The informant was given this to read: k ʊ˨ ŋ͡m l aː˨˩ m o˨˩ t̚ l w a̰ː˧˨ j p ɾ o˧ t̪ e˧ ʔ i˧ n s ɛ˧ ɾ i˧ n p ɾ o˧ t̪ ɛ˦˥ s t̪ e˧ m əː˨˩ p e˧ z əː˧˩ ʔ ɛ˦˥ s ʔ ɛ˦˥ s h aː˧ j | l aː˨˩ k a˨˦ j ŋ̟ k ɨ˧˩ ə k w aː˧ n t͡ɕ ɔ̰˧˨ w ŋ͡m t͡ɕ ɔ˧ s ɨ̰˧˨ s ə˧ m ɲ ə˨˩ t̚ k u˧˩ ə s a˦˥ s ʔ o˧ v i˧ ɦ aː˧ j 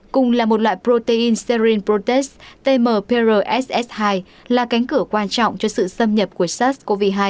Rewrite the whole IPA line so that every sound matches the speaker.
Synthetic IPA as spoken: k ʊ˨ ŋ͡m l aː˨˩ m o˨˩ t̚ l w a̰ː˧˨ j p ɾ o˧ t̪ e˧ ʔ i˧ n s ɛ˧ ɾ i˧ n p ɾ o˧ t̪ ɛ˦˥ s t̪ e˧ m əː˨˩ p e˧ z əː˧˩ ʔ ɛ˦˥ s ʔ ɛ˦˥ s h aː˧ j | l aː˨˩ k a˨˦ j ŋ̟ k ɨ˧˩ ə k w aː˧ n t͡ɕ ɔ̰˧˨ w ŋ͡m t͡ɕ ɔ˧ s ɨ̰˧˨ s ə˧ m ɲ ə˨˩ p̚ k u˧˩ ə s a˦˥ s k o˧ v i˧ ɦ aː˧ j